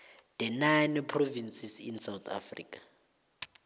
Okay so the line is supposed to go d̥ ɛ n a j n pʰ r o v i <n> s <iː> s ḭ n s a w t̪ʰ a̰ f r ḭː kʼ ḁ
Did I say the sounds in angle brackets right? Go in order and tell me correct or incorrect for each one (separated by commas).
correct, incorrect